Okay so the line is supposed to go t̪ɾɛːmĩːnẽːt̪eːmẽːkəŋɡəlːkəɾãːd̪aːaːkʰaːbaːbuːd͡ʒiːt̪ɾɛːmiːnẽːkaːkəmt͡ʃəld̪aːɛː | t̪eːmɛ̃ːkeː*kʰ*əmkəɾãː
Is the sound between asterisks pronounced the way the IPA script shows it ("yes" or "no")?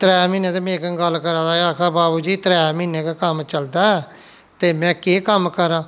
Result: no